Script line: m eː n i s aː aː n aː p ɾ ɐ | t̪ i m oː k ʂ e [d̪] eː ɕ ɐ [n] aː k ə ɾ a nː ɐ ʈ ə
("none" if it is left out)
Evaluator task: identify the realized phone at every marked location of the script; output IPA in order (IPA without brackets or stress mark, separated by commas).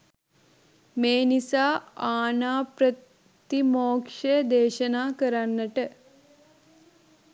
d̪, n